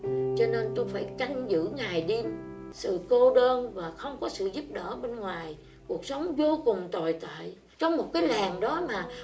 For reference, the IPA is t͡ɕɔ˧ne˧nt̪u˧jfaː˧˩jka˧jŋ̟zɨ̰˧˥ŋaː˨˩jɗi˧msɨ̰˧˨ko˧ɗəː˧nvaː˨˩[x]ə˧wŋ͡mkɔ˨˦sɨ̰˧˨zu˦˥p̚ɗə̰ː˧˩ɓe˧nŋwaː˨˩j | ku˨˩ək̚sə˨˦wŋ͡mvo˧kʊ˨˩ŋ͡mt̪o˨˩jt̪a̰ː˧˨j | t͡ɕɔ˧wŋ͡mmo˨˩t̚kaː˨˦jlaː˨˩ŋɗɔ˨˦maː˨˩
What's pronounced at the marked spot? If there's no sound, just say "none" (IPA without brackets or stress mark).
x